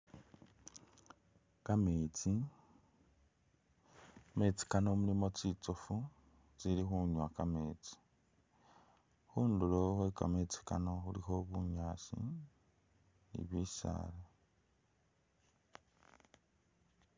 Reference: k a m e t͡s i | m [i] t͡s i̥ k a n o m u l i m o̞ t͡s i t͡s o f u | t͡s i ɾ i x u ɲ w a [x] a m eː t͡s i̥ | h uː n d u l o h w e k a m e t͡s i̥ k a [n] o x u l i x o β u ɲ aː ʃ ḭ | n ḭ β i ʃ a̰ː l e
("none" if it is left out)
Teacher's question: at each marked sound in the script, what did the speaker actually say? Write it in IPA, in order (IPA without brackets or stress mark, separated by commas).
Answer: e, k, n